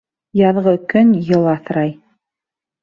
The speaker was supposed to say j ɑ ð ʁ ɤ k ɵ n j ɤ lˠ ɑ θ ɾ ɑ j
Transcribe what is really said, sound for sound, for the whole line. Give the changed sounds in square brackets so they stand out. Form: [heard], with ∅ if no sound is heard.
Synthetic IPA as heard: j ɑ ð ʁ ɤ k ɵ n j ɤ lˠ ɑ θ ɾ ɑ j